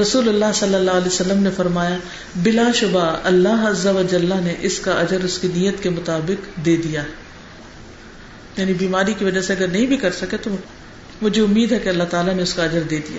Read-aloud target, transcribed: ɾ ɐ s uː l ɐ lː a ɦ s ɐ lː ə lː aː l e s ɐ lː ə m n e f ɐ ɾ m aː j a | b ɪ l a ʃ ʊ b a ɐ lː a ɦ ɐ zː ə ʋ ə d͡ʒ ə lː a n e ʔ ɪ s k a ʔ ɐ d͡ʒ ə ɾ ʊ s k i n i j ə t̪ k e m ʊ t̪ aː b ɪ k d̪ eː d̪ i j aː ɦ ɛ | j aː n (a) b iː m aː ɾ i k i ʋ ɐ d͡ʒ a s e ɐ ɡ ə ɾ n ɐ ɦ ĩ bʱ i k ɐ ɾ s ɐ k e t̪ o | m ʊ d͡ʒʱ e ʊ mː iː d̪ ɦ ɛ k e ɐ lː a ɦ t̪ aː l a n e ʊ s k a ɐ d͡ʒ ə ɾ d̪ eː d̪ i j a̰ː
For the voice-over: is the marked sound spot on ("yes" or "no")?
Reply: no